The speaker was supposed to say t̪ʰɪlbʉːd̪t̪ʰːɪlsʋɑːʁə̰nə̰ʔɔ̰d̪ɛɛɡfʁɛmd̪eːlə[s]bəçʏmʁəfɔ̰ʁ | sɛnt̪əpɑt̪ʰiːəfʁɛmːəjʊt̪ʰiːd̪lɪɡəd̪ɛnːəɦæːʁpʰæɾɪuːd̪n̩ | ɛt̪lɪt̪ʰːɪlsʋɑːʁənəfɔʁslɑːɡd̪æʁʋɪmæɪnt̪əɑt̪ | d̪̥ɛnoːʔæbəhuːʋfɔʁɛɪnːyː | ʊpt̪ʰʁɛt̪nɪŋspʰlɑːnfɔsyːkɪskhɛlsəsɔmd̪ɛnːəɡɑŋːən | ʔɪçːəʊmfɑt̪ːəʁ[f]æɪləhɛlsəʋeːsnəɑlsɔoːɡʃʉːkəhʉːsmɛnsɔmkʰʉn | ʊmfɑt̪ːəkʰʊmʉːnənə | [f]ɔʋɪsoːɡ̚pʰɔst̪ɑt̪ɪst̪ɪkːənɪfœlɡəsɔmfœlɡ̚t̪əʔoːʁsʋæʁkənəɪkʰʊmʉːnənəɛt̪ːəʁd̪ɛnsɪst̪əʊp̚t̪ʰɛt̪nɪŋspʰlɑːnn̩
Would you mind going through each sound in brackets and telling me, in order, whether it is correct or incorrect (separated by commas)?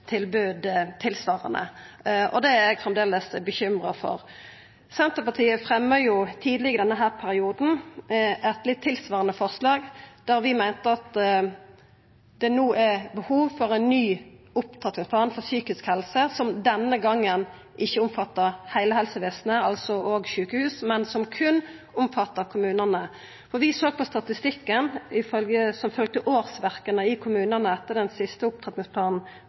correct, incorrect, correct